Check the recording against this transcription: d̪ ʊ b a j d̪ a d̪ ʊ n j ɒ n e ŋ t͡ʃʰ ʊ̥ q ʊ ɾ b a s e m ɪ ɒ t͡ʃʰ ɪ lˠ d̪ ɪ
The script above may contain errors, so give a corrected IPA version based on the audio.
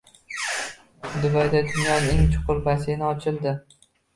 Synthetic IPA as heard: d̪ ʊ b a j d̪ a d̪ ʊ n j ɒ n e ŋ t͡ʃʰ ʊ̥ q ʊ ɾ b a s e n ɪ ɒ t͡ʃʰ ɪ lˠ d̪ ɪ